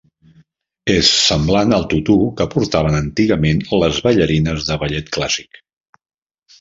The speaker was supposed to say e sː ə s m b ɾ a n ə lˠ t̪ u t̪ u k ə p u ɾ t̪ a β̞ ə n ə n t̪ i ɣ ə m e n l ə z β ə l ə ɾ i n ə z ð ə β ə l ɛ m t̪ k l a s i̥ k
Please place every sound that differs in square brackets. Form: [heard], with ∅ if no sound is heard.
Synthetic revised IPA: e sː ə [∅] m b [l] a n ə lˠ t̪ u t̪ u k ə p u ɾ t̪ a β̞ ə n ə n t̪ i ɣ ə m e n l ə z β ə [ʎ] ə ɾ i n ə z ð ə β ə [ʎ] ɛ [∅] t̪ k l a s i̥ k